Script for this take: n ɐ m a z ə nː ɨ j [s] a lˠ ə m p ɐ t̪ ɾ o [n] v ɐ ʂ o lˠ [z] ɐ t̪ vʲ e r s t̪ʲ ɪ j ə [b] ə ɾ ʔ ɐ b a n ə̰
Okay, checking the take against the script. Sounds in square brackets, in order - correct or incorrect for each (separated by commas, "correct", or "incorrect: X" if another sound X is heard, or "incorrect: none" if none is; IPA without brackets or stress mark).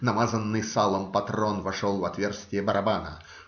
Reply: correct, correct, incorrect: v, correct